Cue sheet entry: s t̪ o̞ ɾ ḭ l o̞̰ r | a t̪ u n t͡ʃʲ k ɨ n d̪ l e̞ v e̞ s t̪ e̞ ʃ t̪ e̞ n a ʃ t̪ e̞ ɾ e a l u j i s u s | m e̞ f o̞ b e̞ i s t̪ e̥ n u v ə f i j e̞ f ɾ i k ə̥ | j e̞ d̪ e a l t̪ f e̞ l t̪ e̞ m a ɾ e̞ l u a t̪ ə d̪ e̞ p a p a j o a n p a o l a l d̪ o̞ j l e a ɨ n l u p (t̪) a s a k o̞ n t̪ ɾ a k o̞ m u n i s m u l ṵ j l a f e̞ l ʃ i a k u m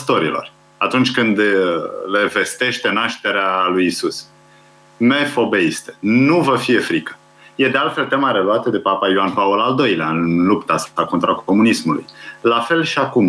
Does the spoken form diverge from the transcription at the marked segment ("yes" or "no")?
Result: no